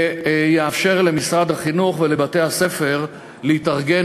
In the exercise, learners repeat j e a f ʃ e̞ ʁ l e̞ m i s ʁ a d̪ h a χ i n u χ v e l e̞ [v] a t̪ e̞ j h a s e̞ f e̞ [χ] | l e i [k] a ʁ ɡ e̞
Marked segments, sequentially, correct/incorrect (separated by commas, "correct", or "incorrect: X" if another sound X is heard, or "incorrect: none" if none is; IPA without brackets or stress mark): incorrect: b, incorrect: ʁ, incorrect: t